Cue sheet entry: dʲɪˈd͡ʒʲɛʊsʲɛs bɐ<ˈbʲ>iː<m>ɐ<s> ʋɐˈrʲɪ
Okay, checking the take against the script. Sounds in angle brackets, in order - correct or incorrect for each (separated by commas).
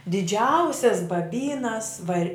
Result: correct, incorrect, correct